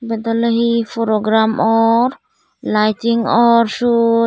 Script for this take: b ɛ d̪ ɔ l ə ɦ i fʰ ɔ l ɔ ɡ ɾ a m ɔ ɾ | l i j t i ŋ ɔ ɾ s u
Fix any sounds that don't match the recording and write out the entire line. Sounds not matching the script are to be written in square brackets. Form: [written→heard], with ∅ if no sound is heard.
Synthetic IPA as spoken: b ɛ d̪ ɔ l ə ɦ i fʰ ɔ [l→ɾ] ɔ ɡ ɾ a m ɔ ɾ | l [i→a] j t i ŋ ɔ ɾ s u